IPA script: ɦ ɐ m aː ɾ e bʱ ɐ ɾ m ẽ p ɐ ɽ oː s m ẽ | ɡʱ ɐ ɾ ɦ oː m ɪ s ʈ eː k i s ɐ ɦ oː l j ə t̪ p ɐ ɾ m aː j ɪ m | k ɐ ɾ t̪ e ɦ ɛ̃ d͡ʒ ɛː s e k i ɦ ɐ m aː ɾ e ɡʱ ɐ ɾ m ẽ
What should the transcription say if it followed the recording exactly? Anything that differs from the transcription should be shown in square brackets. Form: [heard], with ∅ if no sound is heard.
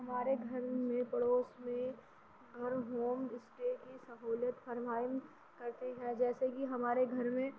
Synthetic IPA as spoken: ɦ ɐ m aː ɾ e [ɡʱ] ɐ ɾ m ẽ p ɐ ɽ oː s m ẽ | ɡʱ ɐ ɾ ɦ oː m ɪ s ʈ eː k i s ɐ ɦ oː l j ə t̪ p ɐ ɾ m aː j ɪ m | k ɐ ɾ t̪ e ɦ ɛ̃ d͡ʒ ɛː s e k i ɦ ɐ m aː ɾ e ɡʱ ɐ ɾ m ẽ

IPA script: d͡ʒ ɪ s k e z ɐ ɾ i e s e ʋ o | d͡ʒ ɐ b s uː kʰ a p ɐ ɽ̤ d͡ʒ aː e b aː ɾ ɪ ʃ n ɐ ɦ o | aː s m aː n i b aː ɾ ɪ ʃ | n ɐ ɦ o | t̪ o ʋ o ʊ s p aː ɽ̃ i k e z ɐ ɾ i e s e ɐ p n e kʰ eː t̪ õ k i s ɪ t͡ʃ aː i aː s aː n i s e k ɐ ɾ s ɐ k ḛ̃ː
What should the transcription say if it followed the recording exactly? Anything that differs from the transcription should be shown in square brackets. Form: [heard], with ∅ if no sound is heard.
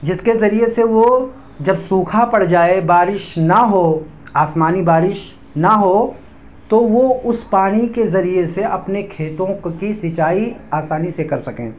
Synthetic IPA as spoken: d͡ʒ ɪ s k e z ɐ ɾ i e s e ʋ o | d͡ʒ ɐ b s uː kʰ a p ɐ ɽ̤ d͡ʒ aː e b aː ɾ ɪ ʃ n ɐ ɦ o | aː s m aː n i b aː ɾ ɪ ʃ | n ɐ ɦ o | t̪ o ʋ o ʊ s p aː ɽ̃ i k e z ɐ ɾ i e s e ɐ p n e kʰ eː t̪ õ k i s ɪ t͡ʃ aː i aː s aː n i s e k ɐ ɾ s ɐ k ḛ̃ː

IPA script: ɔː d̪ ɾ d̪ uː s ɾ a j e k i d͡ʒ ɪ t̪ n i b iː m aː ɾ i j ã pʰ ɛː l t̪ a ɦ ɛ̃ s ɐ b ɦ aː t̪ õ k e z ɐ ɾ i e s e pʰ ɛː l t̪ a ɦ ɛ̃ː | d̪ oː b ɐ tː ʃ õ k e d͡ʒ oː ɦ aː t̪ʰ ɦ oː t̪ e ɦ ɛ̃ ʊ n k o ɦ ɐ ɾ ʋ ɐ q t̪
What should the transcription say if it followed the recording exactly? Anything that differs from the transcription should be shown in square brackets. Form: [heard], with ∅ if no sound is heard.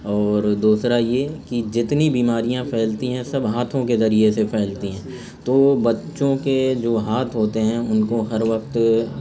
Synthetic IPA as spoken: ɔː [∅] ɾ d̪ uː s ɾ a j e k i d͡ʒ ɪ t̪ n i b iː m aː ɾ i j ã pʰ ɛː l t̪ [i] ɦ ɛ̃ s ɐ b ɦ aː [t̪ʰ] õ k e z ɐ ɾ i e s e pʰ ɛː l t̪ [i] ɦ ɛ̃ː | [t̪] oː b ɐ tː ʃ õ k e d͡ʒ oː ɦ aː t̪ʰ ɦ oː t̪ e ɦ ɛ̃ ʊ n k o ɦ ɐ ɾ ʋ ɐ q t̪

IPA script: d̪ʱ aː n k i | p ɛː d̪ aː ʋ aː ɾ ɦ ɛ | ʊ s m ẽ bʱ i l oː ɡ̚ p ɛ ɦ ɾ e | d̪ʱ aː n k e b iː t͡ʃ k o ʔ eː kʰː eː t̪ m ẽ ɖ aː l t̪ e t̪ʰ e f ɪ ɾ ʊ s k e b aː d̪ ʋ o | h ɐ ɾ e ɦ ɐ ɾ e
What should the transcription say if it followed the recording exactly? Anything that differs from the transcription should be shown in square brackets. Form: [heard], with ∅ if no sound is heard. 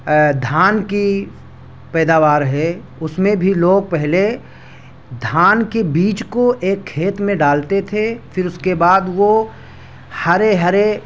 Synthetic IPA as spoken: d̪ʱ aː n k i | p ɛː d̪ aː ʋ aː ɾ ɦ ɛ | ʊ s m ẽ bʱ i l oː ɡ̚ p ɛ ɦ [l] e | d̪ʱ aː n k e b iː t͡ʃ k o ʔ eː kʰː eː t̪ m ẽ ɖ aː l t̪ e t̪ʰ e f ɪ ɾ ʊ s k e b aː d̪ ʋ o | h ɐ ɾ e ɦ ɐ ɾ e

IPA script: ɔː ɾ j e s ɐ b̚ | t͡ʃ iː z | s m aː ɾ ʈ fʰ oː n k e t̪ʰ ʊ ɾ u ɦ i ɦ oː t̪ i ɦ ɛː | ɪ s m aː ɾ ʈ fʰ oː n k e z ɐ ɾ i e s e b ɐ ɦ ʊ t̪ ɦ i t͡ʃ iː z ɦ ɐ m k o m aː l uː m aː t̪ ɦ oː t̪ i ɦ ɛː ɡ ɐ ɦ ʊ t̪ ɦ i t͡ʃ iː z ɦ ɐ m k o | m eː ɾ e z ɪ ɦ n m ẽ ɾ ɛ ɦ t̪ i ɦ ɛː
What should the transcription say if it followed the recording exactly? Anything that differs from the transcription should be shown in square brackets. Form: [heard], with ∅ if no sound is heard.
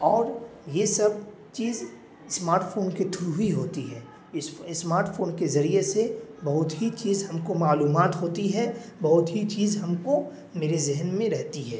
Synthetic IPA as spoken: ɔː ɾ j e s ɐ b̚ | t͡ʃ iː z | s m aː ɾ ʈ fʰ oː n k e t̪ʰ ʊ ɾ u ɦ i ɦ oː t̪ i ɦ ɛː | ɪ s m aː ɾ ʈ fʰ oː n k e z ɐ ɾ i e s e b ɐ ɦ ʊ t̪ ɦ i t͡ʃ iː z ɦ ɐ m k o m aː l uː m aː t̪ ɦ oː t̪ i ɦ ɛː [b] ɐ ɦ ʊ t̪ ɦ i t͡ʃ iː z ɦ ɐ m k o | m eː ɾ e z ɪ ɦ n m ẽ ɾ ɛ ɦ t̪ i ɦ ɛː

